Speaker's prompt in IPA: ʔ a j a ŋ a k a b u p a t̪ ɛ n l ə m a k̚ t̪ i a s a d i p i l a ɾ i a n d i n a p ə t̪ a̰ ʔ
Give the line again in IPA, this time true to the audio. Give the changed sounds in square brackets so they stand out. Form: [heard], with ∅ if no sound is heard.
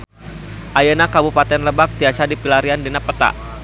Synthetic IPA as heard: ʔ a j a [n] a k a b u p a t̪ ɛ n l ə [b] a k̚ t̪ i a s a d i p i l a ɾ i a n d i n a p ə t̪ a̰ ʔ